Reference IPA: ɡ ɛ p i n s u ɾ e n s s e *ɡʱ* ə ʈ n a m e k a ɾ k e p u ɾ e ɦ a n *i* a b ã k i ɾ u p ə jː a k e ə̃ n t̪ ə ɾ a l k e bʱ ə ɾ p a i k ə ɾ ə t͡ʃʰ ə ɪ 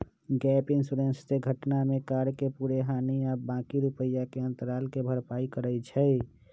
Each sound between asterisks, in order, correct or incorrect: correct, correct

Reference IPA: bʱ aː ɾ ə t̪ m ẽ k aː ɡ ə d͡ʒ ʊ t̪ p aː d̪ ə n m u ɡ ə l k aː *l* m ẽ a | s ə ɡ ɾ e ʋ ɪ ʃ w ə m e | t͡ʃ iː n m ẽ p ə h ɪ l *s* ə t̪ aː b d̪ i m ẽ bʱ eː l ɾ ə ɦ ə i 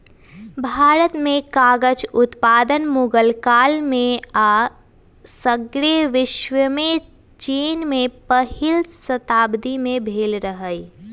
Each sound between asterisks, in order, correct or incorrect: correct, correct

